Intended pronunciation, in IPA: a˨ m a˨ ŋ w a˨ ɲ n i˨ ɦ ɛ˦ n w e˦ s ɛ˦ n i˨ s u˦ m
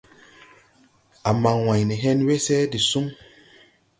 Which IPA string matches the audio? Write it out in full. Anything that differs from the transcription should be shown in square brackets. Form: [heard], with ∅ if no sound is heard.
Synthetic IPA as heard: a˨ m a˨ ŋ w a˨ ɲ n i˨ ɦ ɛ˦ n w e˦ s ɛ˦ [d] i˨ s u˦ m